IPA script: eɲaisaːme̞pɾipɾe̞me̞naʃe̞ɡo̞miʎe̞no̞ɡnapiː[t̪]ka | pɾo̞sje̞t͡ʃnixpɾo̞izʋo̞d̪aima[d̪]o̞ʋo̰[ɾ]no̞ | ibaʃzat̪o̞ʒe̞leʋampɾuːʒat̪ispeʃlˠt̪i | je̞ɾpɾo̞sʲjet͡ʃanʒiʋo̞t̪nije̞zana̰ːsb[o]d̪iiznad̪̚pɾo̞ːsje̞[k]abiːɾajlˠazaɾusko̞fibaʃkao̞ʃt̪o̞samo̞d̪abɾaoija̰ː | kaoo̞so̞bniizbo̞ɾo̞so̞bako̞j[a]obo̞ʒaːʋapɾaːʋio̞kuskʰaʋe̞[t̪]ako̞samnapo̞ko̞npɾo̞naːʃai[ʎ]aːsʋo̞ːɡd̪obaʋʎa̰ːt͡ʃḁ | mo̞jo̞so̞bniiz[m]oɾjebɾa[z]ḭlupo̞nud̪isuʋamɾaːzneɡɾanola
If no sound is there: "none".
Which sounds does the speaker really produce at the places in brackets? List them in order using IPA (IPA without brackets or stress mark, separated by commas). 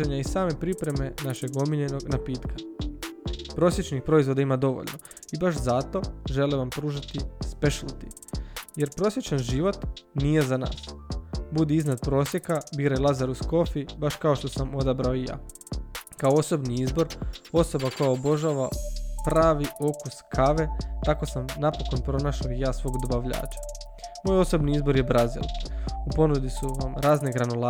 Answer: t̪, d̪, ʎ, u, k, a, t̪, j, b, z